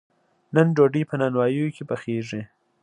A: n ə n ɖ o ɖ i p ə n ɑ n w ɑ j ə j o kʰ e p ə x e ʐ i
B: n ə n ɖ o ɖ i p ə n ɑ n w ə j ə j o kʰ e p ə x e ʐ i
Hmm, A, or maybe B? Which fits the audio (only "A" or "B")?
A